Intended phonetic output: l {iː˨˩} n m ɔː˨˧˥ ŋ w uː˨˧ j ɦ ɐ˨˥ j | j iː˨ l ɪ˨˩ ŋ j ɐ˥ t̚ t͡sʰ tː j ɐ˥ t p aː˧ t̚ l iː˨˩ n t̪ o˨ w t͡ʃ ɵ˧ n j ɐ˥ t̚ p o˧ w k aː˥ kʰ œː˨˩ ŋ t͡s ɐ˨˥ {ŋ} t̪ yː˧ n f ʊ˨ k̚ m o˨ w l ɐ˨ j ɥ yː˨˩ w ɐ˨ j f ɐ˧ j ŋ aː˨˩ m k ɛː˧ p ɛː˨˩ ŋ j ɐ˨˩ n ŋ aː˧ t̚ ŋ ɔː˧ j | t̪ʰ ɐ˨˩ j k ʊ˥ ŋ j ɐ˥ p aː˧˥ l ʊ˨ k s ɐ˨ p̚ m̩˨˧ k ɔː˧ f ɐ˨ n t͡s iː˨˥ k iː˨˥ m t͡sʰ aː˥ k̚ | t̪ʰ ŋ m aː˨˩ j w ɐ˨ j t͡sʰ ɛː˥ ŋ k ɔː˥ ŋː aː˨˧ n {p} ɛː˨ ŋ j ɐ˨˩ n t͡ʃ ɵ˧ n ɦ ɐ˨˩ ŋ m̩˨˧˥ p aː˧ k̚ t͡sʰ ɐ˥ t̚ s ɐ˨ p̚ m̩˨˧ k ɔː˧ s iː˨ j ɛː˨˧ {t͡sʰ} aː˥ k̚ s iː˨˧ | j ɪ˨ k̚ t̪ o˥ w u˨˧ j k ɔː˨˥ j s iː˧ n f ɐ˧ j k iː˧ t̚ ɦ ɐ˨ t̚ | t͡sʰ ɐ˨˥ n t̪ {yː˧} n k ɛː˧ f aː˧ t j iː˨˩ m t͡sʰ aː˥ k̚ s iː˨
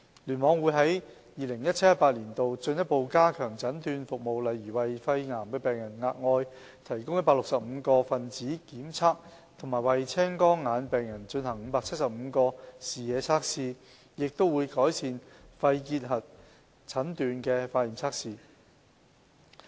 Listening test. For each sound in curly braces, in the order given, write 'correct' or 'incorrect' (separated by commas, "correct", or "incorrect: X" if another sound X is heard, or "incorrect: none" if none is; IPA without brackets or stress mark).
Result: incorrect: yː˨˩, incorrect: n, correct, correct, correct